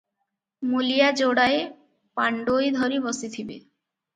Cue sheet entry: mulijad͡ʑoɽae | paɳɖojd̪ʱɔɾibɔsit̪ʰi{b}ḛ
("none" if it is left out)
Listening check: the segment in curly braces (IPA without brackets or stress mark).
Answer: b